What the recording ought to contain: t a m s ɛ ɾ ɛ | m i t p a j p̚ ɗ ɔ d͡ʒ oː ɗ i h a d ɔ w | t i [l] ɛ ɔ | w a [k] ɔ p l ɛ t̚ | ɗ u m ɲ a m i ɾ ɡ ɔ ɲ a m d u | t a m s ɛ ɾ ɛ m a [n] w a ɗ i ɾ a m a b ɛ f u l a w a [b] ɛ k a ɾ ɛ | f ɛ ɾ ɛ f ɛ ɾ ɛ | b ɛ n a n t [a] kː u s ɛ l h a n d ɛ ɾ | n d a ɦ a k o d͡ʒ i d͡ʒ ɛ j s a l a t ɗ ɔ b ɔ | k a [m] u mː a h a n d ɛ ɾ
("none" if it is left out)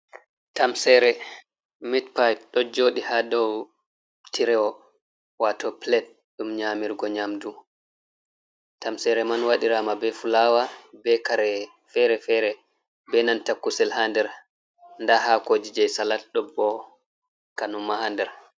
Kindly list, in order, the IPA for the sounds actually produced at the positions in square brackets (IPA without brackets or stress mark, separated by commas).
ɾ, t, n, b, a, n